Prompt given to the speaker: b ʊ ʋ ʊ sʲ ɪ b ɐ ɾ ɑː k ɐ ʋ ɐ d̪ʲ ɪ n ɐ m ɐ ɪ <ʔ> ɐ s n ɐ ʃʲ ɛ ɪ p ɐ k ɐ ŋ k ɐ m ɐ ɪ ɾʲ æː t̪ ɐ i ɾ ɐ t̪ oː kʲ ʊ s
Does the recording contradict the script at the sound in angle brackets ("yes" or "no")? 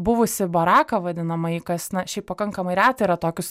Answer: yes